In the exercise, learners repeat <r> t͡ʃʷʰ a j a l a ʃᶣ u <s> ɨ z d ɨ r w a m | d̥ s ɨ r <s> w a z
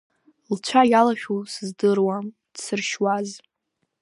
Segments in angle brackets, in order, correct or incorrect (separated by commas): incorrect, correct, incorrect